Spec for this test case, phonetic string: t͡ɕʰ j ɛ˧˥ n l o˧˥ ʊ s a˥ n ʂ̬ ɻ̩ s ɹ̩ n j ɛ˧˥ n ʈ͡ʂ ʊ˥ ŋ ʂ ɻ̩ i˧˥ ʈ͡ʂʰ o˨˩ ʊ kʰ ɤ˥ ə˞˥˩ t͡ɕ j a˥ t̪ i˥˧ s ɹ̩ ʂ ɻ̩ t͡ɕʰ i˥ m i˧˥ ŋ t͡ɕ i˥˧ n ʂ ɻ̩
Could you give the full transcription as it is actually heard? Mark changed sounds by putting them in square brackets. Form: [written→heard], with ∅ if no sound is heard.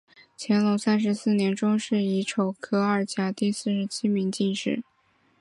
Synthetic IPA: t͡ɕʰ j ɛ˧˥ n l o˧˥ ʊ s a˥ n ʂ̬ ɻ̩ s ɹ̩ n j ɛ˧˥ n ʈ͡ʂ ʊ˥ ŋ ʂ ɻ̩ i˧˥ ʈ͡ʂʰ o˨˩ ʊ kʰ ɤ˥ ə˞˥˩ t͡ɕ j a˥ t̪ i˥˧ s ɹ̩ ʂ ɻ̩ t͡ɕʰ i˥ m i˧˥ ŋ t͡ɕ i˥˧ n ʂ ɻ̩